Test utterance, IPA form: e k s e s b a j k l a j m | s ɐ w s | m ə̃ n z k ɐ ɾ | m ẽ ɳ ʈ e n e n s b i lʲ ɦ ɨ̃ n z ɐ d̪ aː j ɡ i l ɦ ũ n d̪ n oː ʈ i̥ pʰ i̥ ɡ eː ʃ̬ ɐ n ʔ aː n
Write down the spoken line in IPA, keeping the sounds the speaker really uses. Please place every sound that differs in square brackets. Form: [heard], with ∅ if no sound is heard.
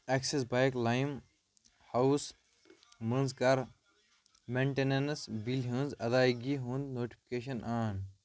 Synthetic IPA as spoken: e k s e s b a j k l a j m | [h] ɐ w s | m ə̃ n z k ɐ ɾ | m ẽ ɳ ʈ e n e n s b i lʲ ɦ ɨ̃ n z ɐ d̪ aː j ɡ i [∅] ɦ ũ n d̪ n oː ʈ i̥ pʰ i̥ [k] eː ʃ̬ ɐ n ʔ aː n